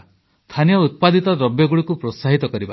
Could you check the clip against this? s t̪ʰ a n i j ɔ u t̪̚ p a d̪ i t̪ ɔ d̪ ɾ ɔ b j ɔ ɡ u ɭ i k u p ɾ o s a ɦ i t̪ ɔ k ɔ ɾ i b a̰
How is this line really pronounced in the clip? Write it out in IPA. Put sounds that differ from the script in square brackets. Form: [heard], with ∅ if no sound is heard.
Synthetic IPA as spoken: s t̪ʰ a n i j ɔ u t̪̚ p a d̪ i t̪ ɔ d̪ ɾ ɔ b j ɔ ɡ u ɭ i k u p ɾ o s a ɦ i t̪ ɔ k ɔ ɾ i b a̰